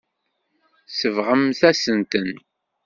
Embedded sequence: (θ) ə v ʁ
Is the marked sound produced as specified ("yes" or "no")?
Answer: no